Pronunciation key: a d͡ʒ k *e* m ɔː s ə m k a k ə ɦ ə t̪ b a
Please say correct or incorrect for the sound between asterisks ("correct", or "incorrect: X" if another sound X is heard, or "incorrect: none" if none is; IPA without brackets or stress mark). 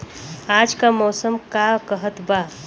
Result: incorrect: a